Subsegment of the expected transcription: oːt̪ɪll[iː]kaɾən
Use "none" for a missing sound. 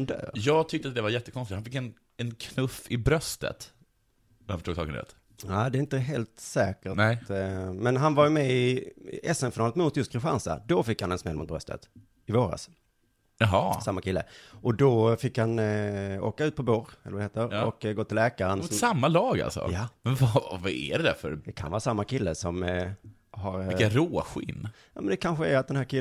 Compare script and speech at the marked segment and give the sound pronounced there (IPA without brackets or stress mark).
ɛː